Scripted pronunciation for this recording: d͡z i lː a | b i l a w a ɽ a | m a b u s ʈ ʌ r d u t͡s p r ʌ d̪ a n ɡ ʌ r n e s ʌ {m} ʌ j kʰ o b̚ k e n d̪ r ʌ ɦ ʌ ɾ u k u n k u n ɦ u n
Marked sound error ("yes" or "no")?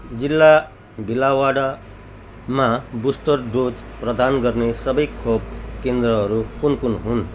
yes